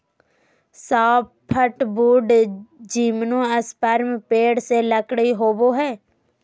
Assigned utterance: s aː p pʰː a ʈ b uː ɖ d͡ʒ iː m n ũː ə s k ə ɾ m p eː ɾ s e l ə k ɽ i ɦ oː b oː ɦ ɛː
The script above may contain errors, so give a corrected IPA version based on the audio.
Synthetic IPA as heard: s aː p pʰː ə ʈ b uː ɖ d͡ʒ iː m n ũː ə s p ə ɾ m p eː ɽ s e l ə k ɽ i ɦ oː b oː ɦ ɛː